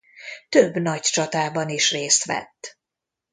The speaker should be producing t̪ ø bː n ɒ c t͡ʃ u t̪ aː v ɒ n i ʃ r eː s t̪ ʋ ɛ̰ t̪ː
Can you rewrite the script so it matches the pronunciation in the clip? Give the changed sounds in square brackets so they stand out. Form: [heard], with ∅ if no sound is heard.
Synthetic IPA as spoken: t̪ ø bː n ɒ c t͡ʃ [ɒ] t̪ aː [b] ɒ n i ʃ r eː s t̪ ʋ ɛ̰ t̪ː